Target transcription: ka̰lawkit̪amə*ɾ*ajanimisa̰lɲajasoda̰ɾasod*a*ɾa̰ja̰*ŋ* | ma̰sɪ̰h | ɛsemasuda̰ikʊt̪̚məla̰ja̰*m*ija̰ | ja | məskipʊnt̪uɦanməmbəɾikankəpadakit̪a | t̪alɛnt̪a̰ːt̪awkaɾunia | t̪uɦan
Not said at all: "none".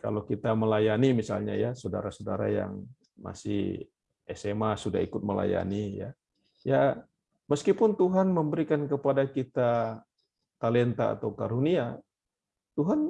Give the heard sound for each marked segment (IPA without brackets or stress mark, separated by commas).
l, a, ŋ, n